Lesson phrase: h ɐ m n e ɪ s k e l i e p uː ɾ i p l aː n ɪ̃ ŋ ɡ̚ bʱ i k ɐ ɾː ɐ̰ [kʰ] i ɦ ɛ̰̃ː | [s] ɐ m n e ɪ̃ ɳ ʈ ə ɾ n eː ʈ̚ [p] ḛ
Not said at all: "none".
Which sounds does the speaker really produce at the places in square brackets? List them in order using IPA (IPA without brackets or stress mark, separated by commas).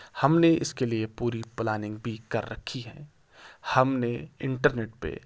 kʰ, h, p